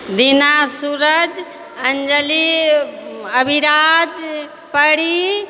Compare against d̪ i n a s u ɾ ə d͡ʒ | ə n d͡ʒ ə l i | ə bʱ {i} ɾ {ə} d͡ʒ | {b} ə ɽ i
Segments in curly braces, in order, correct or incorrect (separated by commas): correct, incorrect, incorrect